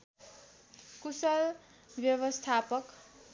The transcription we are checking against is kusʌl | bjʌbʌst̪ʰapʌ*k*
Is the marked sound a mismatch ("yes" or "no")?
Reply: no